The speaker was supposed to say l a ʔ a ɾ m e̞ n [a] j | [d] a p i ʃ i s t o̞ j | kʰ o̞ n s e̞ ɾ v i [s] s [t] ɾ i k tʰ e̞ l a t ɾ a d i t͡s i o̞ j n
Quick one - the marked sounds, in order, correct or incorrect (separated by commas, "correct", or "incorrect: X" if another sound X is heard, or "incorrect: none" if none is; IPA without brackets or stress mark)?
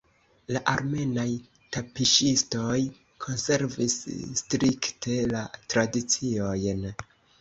correct, incorrect: t, correct, correct